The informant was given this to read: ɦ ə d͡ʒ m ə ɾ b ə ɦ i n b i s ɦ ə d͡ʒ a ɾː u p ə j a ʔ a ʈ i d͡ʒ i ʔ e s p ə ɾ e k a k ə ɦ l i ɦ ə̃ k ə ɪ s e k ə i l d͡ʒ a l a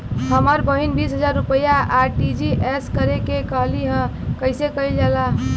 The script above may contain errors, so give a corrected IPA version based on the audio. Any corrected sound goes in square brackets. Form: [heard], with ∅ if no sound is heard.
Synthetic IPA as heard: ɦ ə [∅] m ə ɾ b ə ɦ i n b i s ɦ ə d͡ʒ a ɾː u p ə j a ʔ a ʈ i d͡ʒ i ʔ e s [k] ə ɾ e k [e] k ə ɦ l i ɦ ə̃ k ə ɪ s e k ə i l d͡ʒ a l a